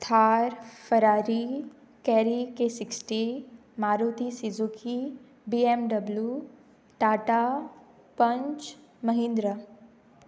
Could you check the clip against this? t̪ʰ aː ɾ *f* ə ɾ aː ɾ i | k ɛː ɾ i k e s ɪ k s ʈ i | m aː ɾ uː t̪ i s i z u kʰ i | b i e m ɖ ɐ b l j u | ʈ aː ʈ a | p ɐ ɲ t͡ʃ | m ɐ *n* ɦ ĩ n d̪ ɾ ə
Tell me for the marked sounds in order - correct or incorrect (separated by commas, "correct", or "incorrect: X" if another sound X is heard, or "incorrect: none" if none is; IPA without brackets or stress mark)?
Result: correct, incorrect: none